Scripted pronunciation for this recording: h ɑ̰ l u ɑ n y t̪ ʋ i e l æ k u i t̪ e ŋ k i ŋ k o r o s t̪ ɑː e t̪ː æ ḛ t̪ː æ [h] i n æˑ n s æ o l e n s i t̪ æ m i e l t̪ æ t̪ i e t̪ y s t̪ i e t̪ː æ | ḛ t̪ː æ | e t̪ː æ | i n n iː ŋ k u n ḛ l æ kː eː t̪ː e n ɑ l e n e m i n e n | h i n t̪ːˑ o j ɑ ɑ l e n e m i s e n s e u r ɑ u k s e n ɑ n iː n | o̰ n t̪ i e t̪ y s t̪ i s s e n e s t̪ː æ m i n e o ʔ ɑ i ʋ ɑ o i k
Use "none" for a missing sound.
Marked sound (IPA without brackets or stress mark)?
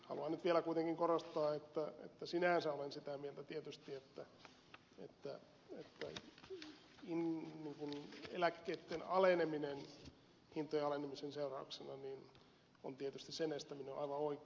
s